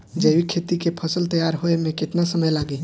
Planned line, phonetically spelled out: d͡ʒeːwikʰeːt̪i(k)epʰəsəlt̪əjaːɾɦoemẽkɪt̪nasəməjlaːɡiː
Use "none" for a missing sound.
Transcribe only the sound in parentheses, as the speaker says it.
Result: k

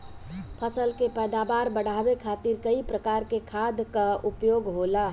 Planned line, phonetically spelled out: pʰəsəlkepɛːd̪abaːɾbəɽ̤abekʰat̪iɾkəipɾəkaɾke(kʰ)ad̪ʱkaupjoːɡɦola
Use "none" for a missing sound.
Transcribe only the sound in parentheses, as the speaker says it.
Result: kʰ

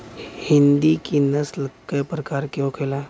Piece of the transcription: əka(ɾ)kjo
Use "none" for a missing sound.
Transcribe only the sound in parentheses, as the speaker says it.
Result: ɾ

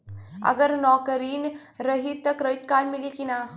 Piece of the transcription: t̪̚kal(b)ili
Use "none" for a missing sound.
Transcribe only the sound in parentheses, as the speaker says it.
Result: m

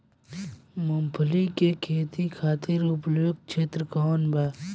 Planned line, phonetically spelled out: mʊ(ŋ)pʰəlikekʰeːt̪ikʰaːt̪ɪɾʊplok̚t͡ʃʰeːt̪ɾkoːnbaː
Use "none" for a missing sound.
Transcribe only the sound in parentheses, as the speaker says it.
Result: m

